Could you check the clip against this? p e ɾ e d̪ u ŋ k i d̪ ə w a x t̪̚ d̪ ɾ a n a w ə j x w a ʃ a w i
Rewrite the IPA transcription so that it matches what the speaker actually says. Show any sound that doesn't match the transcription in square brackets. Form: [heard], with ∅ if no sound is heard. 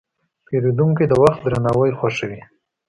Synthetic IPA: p e ɾ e d̪ u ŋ k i d̪ ə w a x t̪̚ d̪ ɾ a n a w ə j x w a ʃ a w i